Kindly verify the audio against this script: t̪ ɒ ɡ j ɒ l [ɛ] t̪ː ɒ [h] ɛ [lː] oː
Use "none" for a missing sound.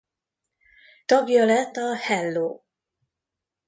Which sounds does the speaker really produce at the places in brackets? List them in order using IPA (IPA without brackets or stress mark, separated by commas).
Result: ɛ, h, lː